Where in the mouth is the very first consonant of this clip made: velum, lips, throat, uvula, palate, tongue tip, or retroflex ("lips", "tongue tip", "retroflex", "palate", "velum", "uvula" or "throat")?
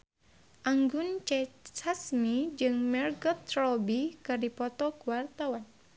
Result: throat